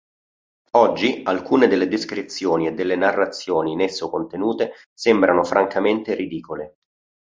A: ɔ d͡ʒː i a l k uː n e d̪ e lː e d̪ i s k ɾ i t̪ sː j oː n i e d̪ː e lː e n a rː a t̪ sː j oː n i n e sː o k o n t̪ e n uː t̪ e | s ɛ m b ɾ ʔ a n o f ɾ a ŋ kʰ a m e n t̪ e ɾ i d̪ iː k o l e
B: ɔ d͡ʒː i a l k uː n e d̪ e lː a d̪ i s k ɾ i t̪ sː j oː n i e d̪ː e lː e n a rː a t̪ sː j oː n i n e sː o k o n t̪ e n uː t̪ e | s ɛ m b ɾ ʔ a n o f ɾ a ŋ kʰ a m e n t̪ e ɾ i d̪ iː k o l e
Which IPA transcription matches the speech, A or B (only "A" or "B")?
A